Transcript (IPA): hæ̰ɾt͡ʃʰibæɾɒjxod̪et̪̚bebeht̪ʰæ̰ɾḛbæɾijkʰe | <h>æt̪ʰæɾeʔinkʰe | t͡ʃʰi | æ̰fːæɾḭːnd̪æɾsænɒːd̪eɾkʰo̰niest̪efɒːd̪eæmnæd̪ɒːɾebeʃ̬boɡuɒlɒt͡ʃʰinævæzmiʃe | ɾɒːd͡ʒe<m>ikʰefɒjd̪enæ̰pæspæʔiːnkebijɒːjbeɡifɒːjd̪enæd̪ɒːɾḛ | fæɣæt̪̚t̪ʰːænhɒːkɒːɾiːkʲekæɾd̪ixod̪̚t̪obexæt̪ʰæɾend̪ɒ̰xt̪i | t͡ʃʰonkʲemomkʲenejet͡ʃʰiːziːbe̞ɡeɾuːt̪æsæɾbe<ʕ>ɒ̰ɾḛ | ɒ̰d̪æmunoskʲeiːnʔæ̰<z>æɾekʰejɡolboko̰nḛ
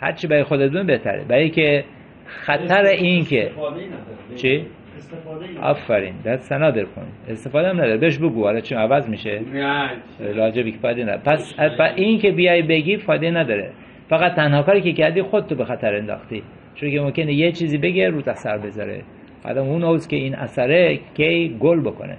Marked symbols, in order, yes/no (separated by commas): no, no, no, no